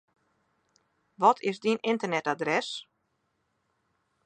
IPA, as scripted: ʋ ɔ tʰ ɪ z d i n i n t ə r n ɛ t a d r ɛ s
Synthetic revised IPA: ʋ ɔ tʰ ɪ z d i n ɪ n t ə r n ɛ t a d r ɛ s